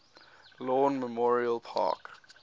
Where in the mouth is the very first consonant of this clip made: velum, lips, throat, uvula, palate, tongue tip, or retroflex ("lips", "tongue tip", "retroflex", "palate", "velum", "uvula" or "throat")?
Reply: tongue tip